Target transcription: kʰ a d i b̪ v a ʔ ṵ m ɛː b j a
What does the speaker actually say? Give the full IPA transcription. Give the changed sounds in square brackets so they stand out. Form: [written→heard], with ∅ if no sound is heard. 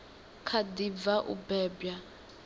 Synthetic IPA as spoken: kʰ a d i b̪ v a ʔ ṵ [m→b] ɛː b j a